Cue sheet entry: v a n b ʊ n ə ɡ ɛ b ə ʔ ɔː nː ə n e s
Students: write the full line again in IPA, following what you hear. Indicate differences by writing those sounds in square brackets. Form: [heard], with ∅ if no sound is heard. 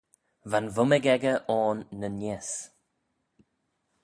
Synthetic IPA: v a n [v] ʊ [m] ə ɡ ɛ [ɡ] ə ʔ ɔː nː ə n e s